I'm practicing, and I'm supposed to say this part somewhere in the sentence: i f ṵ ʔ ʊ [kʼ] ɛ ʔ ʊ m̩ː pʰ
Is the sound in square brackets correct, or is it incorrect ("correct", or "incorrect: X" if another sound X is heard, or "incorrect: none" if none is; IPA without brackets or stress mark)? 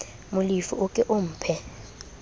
correct